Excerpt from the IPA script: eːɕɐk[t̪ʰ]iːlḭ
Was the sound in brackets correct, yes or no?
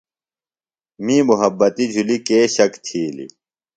yes